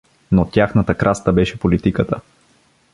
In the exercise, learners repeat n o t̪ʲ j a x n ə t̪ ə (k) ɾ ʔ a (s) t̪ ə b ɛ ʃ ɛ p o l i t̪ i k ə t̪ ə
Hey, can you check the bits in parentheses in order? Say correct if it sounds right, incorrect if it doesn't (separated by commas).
correct, correct